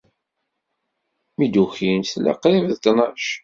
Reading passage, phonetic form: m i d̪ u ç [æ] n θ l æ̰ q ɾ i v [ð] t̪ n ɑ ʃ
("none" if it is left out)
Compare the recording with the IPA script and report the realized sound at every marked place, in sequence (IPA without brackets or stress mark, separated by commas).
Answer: i, ð